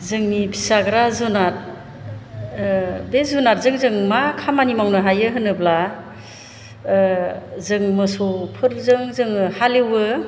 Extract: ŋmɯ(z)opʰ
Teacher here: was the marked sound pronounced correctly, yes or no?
no